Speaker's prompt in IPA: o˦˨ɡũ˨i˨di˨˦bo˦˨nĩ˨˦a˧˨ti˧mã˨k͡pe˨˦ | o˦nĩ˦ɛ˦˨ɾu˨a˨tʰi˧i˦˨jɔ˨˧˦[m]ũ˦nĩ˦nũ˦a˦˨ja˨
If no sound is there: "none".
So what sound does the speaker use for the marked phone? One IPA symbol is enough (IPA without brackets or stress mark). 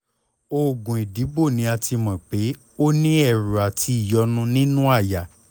n